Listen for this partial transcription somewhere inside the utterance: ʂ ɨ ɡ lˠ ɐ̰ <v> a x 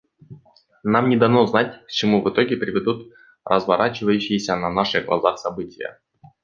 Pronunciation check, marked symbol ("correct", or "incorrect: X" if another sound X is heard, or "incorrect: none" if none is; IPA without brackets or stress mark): incorrect: z